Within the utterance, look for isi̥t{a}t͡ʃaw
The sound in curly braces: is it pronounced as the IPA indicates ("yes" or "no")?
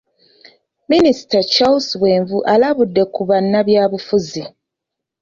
yes